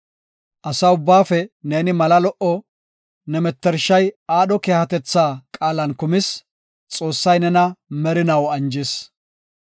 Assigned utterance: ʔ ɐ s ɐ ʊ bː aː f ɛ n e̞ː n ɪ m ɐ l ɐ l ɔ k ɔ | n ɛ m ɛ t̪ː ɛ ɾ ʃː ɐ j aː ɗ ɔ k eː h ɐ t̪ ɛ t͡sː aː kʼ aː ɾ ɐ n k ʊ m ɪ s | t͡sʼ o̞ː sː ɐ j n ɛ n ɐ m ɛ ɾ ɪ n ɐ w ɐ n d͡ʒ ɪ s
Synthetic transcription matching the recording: ʔ ɐ s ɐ ʊ bː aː f ɛ n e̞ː n ɪ m ɐ l ɐ l ɔ ʔ ɔ | n ɛ m ɛ t̪ː ɛ ɾ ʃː ɐ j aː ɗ ɔ k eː h ɐ t̪ ɛ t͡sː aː kʼ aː l ɐ n k ʊ m ɪ s | t͡sʼ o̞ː sː ɐ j n ɛ n ɐ m ɛ ɾ ɪ n ɐ w ɐ n d͡ʒ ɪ s